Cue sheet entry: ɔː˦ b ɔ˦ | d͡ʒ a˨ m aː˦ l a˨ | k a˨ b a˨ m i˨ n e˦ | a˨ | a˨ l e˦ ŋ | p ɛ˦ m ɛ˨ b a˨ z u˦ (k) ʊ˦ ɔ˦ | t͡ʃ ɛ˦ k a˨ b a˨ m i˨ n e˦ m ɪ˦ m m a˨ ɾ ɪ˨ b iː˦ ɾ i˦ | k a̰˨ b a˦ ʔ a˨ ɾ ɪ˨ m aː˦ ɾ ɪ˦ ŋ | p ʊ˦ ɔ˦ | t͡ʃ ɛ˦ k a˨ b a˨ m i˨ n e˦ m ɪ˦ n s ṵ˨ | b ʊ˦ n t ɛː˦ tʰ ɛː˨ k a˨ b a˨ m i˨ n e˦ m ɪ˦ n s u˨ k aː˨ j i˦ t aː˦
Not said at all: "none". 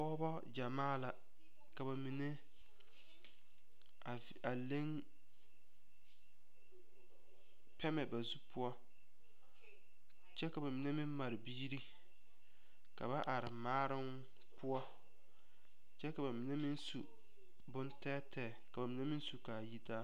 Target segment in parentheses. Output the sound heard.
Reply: p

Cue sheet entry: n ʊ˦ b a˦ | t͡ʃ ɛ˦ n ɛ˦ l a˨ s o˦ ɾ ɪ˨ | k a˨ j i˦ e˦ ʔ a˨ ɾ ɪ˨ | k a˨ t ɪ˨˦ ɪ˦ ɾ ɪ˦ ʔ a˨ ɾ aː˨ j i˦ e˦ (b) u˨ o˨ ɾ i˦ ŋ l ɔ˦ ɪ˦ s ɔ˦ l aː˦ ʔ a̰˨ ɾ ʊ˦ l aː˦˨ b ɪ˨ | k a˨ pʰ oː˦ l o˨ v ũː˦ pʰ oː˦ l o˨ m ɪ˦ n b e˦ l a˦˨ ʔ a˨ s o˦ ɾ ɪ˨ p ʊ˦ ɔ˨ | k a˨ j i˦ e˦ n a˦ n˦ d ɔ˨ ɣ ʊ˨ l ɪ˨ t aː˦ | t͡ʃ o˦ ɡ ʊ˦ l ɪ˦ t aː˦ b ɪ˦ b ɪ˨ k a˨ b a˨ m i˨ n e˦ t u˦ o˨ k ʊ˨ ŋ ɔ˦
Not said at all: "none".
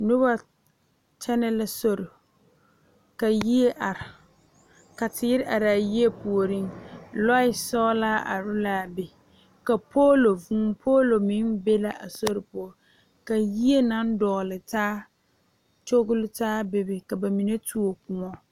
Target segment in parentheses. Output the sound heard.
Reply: p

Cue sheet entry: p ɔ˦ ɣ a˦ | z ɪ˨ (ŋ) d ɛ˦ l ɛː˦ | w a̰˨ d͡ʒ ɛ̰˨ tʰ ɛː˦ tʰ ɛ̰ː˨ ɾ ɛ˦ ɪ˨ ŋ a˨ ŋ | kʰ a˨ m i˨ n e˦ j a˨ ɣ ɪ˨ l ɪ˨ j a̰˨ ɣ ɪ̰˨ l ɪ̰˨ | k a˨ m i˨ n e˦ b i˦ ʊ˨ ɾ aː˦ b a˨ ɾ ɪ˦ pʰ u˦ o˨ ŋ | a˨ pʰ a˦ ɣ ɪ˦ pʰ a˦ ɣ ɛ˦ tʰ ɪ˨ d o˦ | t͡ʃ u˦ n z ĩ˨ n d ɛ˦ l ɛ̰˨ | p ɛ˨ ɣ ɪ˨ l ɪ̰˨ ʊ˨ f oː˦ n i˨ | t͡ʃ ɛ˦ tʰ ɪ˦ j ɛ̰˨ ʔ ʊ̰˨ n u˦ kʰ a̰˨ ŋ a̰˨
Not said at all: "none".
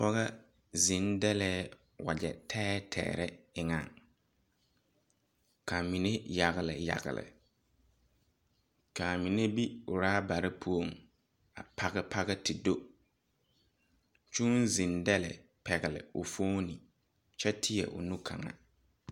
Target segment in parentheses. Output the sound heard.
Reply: n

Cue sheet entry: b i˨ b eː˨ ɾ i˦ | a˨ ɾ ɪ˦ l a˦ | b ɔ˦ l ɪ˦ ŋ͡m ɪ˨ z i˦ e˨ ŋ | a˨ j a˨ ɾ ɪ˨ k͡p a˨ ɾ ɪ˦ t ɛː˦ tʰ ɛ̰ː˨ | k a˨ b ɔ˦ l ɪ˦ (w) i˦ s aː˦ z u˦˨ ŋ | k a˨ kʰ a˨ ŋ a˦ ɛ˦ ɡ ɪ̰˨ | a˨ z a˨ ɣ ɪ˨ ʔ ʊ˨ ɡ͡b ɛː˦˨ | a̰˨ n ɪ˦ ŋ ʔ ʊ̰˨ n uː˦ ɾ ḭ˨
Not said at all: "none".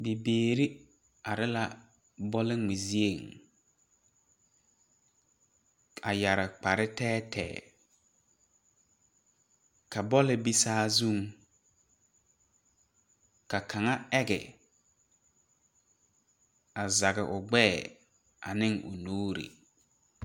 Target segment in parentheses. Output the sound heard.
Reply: b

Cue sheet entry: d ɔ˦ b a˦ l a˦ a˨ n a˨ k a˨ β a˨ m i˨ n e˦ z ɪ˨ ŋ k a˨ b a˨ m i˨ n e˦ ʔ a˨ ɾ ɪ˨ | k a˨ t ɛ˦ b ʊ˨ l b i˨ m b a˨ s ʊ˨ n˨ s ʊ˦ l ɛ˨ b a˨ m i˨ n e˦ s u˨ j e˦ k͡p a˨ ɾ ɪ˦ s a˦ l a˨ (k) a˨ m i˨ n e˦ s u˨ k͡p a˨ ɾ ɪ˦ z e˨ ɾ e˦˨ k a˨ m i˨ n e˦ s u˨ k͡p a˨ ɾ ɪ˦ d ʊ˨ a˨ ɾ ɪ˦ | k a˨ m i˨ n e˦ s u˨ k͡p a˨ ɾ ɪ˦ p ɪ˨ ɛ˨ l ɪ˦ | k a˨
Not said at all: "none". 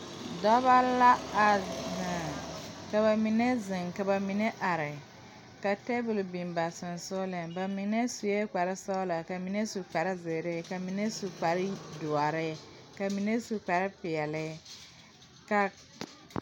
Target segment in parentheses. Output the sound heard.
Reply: k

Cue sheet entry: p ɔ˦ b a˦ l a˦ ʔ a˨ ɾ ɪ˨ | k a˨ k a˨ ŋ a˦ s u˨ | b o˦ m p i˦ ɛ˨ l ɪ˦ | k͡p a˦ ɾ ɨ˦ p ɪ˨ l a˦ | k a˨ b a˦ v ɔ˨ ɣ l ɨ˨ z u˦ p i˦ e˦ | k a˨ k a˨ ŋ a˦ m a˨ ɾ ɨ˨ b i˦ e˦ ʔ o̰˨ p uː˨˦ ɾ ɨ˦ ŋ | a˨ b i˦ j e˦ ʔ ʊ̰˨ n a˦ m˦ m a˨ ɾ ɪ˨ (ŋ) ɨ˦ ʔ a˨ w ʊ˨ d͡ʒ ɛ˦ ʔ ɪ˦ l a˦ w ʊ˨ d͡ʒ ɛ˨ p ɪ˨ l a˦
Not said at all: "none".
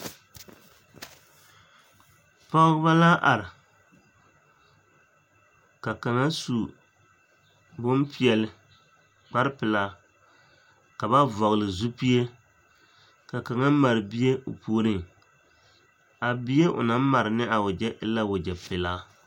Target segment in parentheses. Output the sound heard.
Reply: n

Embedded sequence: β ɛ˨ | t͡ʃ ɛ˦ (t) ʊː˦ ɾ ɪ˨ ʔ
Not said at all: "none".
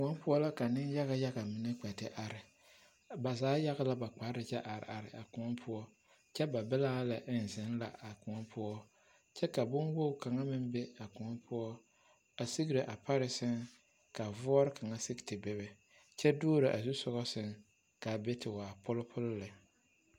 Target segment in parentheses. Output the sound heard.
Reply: d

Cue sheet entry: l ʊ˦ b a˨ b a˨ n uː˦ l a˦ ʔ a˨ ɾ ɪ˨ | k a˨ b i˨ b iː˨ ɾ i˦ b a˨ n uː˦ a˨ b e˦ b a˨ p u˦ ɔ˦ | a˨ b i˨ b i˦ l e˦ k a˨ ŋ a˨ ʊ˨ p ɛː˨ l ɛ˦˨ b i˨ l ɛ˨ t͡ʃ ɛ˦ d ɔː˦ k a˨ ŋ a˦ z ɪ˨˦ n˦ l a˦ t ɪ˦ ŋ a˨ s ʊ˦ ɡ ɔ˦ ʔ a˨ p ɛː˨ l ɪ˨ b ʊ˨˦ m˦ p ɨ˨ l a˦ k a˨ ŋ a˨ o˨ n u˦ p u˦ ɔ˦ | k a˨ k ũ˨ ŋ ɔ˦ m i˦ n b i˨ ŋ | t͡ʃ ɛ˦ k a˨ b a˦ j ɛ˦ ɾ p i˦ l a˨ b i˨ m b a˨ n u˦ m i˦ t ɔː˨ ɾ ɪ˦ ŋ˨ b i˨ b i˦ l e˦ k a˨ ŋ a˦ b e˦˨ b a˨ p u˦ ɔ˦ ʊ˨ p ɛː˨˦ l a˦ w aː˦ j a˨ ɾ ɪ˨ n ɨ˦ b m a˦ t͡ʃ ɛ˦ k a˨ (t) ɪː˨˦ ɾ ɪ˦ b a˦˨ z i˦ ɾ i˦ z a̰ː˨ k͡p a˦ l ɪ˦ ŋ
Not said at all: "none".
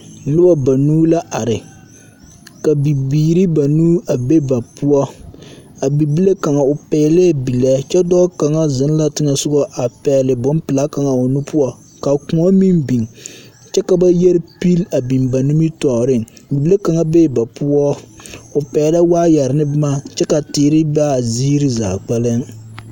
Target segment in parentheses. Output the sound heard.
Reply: t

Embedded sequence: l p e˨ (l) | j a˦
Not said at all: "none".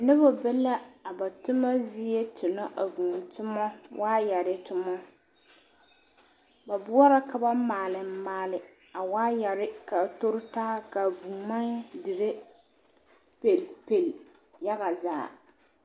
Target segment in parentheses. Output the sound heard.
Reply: l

